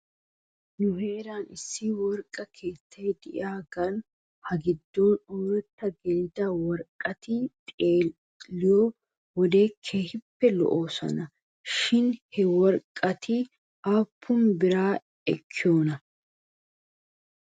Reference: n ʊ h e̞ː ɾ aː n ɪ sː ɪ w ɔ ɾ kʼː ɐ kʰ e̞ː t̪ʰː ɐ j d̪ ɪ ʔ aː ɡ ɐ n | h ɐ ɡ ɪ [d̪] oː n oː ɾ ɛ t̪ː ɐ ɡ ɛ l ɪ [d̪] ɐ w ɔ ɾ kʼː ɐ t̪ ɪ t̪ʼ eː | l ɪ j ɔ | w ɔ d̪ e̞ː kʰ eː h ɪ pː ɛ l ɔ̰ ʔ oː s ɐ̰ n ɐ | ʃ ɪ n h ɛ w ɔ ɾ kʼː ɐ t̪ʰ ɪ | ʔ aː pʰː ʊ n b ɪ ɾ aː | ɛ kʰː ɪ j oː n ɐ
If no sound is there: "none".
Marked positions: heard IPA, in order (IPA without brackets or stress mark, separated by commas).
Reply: d̪ː, d̪